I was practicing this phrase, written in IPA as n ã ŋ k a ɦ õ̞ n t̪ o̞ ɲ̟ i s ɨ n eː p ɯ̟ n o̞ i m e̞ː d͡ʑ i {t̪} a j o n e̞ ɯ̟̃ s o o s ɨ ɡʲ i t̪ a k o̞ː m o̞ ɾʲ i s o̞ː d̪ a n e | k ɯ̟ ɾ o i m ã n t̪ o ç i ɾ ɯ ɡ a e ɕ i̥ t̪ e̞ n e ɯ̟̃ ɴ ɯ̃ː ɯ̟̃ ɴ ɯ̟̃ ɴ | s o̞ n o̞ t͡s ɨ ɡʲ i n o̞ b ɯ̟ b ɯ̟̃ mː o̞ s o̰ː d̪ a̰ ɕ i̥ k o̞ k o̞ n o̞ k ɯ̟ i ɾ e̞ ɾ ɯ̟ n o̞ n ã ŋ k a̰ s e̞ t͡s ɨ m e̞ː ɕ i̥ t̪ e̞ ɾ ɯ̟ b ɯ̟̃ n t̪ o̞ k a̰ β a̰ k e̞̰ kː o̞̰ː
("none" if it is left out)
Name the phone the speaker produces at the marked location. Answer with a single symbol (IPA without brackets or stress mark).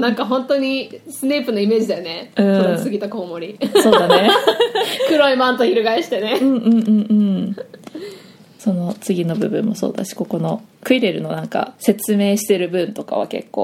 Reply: d̪